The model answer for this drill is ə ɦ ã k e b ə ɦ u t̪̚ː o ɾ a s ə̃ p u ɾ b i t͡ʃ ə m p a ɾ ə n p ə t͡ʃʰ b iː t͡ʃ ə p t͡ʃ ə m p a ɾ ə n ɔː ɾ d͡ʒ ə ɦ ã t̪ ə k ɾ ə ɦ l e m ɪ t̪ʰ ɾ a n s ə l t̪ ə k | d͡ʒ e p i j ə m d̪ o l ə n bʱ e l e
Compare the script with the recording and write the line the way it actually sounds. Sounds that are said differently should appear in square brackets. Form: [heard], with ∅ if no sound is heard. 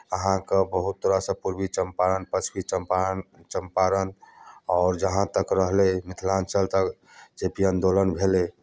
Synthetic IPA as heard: ə ɦ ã k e b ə ɦ u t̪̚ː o ɾ a s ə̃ p u ɾ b i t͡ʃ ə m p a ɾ ə n p ə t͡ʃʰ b [i] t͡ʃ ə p t͡ʃ ə m p a ɾ ə n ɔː ɾ d͡ʒ ə ɦ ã t̪ ə k ɾ ə ɦ l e m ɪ t̪ʰ [l] a n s ə l t̪ ə k | d͡ʒ e p i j ə [n] d̪ o l ə n bʱ e l e